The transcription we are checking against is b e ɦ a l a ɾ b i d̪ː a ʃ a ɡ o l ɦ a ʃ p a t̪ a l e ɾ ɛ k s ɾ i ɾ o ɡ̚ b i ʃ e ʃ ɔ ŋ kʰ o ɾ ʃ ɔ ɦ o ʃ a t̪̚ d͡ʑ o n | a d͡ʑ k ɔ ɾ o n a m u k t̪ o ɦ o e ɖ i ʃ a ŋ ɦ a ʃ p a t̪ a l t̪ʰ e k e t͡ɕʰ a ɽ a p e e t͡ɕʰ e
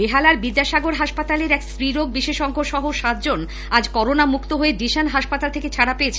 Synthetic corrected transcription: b e ɦ a l a ɾ b i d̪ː a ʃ a ɡ o ɾ ɦ a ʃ p a t̪ a l e ɾ ɛ k s ɾ i ɾ o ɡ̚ b i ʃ e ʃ ɔ ŋ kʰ o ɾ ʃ ɔ ɦ o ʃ a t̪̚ d͡ʑ o n | a d͡ʑ k ɔ ɾ o n a m u k t̪ o ɦ o e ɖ i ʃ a n ɦ a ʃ p a t̪ a l t̪ʰ e k e t͡ɕʰ a ɽ a p e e t͡ɕʰ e